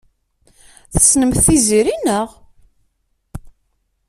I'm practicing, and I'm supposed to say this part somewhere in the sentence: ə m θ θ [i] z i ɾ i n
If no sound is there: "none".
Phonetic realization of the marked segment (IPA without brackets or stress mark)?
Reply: i